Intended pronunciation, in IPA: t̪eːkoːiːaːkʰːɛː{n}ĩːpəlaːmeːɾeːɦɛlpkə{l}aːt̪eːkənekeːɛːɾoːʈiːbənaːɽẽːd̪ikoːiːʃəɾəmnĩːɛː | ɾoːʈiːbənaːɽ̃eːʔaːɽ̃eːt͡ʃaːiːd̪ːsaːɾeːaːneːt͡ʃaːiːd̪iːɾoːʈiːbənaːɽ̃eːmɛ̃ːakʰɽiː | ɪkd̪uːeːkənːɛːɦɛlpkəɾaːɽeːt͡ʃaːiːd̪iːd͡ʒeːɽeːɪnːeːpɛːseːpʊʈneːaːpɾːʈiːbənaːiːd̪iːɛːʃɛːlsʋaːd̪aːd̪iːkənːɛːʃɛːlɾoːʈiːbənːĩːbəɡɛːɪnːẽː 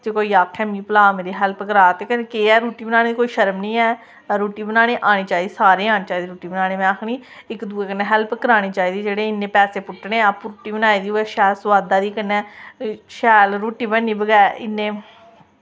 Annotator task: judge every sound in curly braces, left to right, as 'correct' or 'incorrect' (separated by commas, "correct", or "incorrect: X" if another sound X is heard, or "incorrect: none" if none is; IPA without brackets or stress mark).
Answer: incorrect: m, incorrect: ɾ